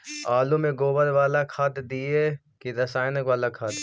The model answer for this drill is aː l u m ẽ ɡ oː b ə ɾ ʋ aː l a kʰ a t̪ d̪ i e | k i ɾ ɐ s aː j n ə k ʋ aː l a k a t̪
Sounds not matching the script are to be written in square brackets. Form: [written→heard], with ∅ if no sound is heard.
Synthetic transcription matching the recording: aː l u m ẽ ɡ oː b ə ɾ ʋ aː l a kʰ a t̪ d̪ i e | k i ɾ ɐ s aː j n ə k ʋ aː l a [k→kʰ] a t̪